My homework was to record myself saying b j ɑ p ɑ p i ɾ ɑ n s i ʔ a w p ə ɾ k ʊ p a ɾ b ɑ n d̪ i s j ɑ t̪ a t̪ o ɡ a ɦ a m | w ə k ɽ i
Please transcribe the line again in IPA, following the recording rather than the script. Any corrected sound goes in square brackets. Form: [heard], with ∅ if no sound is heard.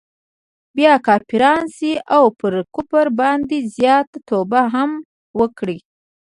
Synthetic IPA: b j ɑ [k] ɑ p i ɾ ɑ n s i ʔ a w p ə ɾ k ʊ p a ɾ b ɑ n d̪ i [z] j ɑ t̪ a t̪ o [b] a ɦ a m | w ə k ɽ i